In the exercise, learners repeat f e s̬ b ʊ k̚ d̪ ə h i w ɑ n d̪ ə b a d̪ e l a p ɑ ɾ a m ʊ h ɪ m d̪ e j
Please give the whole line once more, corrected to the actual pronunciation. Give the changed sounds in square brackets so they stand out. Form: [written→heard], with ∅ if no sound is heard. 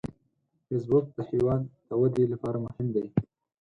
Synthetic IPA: f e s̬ b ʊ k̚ d̪ ə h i w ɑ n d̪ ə [b→w] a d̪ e l a p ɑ ɾ a m ʊ h ɪ m d̪ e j